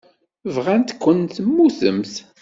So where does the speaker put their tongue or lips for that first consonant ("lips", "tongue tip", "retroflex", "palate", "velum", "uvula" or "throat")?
lips